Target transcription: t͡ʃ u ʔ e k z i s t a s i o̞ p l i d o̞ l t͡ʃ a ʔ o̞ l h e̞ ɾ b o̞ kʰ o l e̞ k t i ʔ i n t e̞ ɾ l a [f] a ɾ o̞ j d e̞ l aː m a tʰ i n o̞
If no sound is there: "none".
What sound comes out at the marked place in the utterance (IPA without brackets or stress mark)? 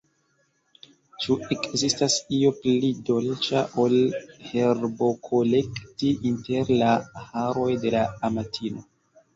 h